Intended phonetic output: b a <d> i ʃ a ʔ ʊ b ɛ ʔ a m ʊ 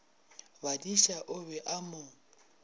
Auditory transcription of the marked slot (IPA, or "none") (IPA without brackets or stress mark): d